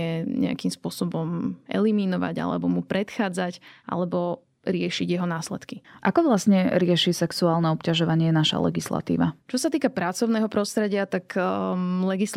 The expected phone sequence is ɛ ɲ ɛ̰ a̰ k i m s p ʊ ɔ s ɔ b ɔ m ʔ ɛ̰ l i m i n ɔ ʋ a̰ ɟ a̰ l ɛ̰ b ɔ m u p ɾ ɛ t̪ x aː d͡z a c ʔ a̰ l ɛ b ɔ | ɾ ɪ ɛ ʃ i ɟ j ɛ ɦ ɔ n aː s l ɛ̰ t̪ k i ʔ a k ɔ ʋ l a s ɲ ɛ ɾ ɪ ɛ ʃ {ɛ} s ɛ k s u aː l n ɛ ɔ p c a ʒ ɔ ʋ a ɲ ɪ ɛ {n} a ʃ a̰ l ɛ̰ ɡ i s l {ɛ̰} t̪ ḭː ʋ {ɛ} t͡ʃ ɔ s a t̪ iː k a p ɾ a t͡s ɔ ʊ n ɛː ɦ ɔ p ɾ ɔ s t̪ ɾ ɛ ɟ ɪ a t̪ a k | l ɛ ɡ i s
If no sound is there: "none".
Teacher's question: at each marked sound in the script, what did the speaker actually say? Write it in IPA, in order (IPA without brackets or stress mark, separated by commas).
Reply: i, n, a̰, a